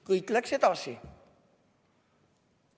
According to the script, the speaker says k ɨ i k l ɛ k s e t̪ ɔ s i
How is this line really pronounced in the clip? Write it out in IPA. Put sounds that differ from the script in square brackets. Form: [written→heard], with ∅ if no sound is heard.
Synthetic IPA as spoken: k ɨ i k l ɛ k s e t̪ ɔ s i